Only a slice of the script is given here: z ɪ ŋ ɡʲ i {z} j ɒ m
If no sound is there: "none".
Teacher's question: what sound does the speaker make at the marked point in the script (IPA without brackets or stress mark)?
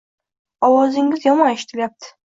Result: z